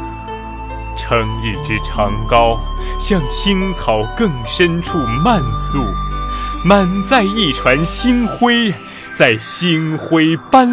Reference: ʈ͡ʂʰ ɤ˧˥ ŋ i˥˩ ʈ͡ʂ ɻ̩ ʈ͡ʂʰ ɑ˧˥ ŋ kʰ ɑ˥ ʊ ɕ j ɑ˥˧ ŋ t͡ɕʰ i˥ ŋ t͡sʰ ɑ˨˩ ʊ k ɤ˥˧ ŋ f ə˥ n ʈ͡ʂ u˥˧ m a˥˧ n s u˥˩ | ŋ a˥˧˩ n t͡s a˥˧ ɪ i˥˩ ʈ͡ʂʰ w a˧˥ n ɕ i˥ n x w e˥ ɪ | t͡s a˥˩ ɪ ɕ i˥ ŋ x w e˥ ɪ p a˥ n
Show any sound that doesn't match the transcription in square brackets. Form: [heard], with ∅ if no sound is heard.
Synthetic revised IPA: ʈ͡ʂʰ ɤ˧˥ ŋ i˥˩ ʈ͡ʂ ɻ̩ ʈ͡ʂʰ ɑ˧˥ ŋ [k] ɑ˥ ʊ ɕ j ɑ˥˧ ŋ t͡ɕʰ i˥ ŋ t͡sʰ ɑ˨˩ ʊ k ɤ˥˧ ŋ [ʂ] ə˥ n [ʈ͡ʂʰ] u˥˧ m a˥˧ n s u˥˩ | [m] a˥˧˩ n t͡s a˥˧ ɪ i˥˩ ʈ͡ʂʰ w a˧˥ n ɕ i˥ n x w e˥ ɪ | t͡s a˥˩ ɪ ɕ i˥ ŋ x w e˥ ɪ p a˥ n